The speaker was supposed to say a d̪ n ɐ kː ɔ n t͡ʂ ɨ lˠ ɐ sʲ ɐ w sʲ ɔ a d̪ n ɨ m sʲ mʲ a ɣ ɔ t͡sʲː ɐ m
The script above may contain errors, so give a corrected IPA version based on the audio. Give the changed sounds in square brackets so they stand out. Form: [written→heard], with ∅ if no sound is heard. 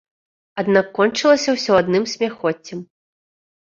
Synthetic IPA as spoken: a d̪ n [ɐ→a] kː ɔ n t͡ʂ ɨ lˠ ɐ sʲ ɐ w sʲ ɔ a d̪ n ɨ m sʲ mʲ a [ɣ→x] ɔ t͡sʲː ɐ m